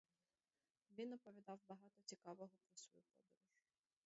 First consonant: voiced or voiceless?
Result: voiced